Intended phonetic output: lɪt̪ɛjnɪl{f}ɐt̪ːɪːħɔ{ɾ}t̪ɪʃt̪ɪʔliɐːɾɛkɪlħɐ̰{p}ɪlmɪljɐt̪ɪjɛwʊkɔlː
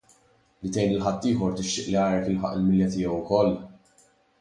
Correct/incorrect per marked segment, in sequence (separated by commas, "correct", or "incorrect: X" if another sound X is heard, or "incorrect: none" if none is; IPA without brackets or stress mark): incorrect: ħ, correct, incorrect: ʔ